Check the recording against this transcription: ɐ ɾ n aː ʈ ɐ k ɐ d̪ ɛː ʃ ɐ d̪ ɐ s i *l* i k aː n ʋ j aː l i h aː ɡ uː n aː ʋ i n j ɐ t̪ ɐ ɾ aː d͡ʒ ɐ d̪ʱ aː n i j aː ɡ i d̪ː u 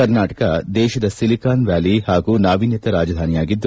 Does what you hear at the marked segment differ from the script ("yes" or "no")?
no